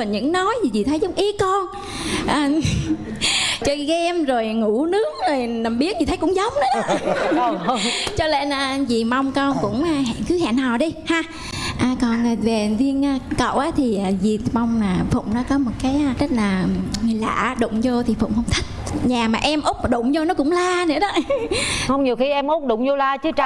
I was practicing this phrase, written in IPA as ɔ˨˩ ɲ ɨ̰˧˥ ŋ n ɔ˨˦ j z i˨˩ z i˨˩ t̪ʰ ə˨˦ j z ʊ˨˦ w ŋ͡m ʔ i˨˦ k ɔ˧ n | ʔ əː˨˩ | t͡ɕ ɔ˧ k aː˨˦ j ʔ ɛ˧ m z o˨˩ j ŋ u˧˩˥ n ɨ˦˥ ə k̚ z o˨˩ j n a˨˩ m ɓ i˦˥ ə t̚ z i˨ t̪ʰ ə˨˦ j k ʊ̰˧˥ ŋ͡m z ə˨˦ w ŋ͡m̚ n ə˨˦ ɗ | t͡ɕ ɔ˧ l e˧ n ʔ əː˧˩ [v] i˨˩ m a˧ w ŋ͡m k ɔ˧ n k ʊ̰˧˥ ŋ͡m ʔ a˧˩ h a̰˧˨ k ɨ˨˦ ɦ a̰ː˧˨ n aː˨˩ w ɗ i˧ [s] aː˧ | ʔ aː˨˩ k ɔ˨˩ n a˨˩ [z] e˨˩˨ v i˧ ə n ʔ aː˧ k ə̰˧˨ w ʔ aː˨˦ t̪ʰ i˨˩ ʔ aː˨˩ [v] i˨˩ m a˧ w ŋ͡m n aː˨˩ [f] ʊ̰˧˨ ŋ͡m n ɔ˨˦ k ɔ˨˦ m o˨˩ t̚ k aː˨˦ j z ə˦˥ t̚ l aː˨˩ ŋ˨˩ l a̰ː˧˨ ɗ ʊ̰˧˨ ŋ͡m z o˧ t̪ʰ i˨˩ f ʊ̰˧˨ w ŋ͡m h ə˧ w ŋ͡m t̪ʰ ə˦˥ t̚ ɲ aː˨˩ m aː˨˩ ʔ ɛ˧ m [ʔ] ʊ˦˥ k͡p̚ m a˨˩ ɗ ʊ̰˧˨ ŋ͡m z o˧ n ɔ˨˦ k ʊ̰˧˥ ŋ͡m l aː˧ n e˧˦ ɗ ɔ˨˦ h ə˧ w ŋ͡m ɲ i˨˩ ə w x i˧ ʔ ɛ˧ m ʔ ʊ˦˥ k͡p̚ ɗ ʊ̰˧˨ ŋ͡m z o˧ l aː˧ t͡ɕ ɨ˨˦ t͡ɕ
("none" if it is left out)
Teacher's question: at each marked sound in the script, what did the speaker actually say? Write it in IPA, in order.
z, h, v, z, f, ʔ

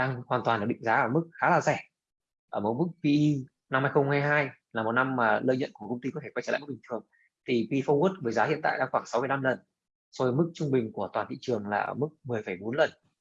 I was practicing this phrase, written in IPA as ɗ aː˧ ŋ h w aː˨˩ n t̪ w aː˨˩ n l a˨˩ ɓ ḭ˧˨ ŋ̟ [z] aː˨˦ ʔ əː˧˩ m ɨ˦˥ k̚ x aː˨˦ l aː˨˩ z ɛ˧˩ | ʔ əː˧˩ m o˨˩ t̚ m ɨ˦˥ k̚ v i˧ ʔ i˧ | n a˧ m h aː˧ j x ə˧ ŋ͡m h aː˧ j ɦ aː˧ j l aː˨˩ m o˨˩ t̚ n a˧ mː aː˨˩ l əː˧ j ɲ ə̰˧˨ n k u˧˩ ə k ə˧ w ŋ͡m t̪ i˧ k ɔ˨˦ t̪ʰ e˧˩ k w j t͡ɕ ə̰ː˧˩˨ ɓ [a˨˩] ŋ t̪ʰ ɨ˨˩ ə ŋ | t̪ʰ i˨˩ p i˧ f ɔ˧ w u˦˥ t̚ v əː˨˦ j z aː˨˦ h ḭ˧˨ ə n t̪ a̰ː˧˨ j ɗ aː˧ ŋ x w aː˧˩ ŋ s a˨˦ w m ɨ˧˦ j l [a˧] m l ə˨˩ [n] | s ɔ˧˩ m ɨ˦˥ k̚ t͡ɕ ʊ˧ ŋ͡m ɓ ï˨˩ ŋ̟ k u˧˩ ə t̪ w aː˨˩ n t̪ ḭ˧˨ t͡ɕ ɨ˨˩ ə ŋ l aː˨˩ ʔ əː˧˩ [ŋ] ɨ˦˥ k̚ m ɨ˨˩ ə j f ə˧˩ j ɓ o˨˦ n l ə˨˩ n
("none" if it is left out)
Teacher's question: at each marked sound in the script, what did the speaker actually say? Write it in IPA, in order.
z, i˨˩, a˧, n, m

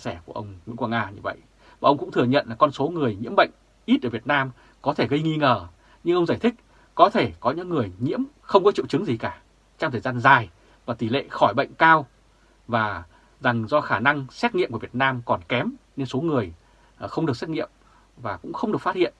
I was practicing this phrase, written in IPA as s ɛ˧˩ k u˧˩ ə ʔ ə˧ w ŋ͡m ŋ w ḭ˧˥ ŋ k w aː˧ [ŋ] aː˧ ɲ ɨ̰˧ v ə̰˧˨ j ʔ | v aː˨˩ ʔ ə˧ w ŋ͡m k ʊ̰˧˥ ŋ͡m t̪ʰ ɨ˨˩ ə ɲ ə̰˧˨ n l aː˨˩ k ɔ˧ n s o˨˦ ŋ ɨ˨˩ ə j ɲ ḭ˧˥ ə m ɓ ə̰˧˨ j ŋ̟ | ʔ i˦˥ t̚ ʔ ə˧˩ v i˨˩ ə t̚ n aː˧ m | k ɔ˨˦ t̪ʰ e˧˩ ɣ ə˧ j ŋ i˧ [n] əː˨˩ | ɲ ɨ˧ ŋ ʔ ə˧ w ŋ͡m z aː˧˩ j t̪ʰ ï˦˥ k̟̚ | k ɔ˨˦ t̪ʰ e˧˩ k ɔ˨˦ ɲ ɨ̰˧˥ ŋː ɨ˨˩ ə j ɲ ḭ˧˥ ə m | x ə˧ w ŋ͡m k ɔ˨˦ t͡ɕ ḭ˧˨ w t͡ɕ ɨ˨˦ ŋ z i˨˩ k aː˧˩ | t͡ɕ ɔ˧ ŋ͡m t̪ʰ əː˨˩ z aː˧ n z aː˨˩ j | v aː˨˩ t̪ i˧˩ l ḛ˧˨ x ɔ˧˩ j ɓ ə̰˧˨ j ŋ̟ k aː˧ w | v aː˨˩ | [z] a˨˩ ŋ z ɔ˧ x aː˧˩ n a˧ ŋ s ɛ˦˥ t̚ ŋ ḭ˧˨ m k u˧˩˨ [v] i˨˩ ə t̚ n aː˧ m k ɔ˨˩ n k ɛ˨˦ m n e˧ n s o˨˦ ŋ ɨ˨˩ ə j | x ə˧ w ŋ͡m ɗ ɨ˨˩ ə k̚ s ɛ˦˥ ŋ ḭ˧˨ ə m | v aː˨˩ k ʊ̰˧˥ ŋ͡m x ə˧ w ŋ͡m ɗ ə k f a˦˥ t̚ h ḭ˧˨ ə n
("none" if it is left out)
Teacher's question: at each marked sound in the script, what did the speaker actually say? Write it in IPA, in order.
ŋ, ŋ, z, v

